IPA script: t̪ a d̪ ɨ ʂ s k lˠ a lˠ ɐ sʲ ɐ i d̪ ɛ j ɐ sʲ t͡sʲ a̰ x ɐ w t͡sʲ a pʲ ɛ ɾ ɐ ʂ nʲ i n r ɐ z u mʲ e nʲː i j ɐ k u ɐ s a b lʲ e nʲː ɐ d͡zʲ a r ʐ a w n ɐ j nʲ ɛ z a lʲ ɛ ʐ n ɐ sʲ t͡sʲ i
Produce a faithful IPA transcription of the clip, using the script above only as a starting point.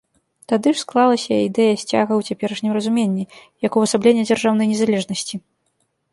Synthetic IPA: t̪ a d̪ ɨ ʂ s k lˠ a lˠ ɐ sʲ ɐ i d̪ ɛ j ɐ sʲ t͡sʲ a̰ ɣ ɐ w t͡sʲ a pʲ ɛ ɾ ɐ ʂ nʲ i m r ɐ z u mʲ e nʲː i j ɐ k u ɐ s a b lʲ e nʲː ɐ d͡zʲ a r ʐ a w n ɐ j nʲ ɛ z a lʲ ɛ ʐ n ɐ sʲ t͡sʲ i